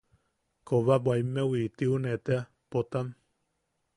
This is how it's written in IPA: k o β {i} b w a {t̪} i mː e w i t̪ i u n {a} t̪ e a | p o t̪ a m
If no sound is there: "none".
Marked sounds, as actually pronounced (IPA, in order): a, none, e

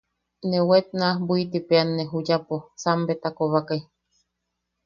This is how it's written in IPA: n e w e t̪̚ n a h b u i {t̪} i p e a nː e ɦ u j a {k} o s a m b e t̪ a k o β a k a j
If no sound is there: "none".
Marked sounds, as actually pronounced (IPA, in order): t̪, p

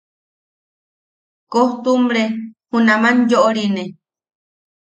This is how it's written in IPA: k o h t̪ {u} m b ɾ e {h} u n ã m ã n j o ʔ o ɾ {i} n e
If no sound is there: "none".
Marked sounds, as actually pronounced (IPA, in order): u, h, i

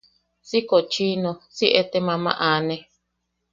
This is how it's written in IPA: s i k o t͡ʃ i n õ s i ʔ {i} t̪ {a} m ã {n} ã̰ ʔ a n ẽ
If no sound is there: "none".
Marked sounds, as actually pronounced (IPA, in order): e, e, m

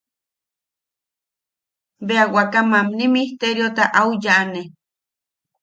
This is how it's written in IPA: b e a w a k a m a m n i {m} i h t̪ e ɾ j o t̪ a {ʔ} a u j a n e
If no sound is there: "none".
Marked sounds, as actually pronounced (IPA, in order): m, ʔ

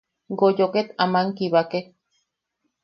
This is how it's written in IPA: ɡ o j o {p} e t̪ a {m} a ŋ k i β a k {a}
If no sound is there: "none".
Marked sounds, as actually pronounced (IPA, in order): k, m, e

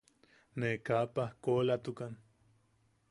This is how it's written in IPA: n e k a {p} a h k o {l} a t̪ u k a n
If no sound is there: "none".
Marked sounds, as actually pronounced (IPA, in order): p, l

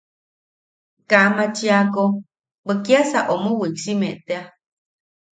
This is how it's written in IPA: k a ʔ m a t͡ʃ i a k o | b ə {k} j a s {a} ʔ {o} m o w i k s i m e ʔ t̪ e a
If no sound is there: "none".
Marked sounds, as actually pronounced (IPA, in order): k, a, o

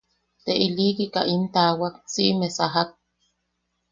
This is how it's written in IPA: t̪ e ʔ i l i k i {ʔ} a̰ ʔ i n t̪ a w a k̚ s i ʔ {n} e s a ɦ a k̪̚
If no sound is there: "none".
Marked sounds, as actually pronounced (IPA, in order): k, m

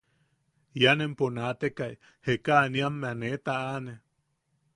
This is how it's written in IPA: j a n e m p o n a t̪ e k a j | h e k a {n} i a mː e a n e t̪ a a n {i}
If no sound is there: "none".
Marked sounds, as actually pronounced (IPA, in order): n, e

